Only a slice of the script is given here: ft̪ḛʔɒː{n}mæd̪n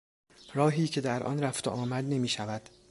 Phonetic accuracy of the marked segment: incorrect: none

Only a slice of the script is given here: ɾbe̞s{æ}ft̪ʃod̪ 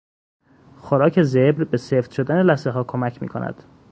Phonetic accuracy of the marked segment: incorrect: e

